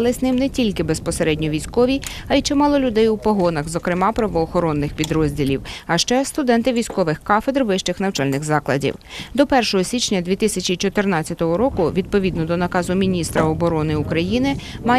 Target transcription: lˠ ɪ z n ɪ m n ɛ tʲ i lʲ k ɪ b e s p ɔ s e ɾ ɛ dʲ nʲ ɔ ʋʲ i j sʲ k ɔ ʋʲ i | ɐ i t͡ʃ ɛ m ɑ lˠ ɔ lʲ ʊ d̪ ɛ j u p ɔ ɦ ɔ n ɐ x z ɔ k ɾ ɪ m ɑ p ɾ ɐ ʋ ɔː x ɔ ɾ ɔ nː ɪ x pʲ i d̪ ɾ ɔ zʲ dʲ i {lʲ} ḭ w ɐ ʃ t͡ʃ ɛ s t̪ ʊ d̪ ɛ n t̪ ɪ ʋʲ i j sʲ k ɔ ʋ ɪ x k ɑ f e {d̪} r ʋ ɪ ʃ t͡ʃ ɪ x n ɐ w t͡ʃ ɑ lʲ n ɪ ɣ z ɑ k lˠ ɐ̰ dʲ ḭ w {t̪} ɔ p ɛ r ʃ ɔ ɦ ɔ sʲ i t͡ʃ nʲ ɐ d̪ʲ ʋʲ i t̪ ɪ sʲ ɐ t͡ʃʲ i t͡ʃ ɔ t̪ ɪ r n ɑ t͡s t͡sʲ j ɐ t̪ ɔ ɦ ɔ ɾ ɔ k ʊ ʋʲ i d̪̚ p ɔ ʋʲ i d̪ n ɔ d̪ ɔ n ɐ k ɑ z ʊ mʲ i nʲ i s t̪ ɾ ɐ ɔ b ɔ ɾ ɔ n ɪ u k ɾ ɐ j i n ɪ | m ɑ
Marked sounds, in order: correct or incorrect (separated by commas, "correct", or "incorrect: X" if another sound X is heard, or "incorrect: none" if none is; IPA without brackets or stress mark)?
correct, correct, incorrect: d̪